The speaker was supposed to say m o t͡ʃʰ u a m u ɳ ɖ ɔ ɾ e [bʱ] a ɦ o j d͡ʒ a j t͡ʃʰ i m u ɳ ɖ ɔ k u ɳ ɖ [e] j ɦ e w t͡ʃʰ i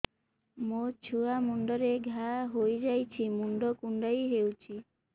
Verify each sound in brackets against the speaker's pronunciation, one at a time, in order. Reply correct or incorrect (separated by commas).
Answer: incorrect, incorrect